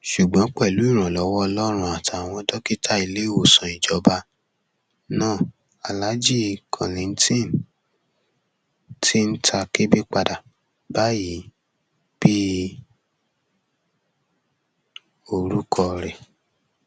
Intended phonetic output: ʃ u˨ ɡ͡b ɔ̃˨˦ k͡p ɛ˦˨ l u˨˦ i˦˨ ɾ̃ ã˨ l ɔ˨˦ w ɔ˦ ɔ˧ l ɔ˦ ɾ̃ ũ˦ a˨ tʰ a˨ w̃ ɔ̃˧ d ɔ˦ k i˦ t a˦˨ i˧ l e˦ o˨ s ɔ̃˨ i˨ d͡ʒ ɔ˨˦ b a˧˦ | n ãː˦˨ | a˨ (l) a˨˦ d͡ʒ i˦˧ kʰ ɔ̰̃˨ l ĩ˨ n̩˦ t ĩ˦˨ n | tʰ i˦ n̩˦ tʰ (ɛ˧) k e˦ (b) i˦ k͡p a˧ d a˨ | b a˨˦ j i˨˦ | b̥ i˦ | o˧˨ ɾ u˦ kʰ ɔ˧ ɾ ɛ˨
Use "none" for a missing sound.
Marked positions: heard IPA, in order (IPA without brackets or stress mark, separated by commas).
l, a˧, b